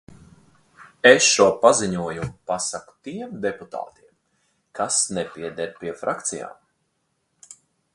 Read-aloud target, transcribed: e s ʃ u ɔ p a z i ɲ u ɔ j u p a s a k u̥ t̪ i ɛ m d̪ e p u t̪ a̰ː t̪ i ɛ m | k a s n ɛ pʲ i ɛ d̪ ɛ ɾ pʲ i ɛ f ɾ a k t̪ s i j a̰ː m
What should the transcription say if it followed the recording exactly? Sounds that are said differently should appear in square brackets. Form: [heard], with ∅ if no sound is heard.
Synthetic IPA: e s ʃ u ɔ p a z i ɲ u ɔ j u p a s a k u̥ t̪ i ɛ m d̪ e p u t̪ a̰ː t̪ i ɛ m | k a s n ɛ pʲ i ɛ d̪ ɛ ɾ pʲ i ɛ f ɾ a k t̪ s i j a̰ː m